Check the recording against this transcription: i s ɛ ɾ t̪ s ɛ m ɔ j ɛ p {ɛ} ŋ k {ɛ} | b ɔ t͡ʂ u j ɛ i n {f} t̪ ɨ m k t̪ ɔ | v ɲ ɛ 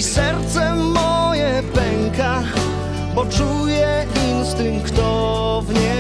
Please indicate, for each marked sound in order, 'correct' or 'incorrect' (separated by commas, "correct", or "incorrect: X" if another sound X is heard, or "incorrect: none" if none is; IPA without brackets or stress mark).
correct, incorrect: a, incorrect: s